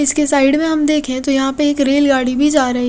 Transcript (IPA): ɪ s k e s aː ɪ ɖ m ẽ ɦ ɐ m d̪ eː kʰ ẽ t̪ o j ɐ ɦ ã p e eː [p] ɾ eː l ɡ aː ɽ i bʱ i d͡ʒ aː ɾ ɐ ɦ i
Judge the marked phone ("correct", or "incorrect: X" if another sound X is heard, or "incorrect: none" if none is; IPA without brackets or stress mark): incorrect: k